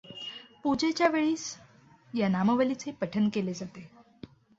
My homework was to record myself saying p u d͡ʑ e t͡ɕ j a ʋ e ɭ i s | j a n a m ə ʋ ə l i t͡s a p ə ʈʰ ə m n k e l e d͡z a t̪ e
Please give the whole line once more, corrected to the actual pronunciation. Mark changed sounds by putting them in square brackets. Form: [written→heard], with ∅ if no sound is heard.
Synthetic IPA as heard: p u d͡ʑ e t͡ɕ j a ʋ e ɭ [i→iː] s | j a n a m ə ʋ ə l i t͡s [a→e] p ə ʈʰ ə [m→∅] n k e l e d͡z a t̪ e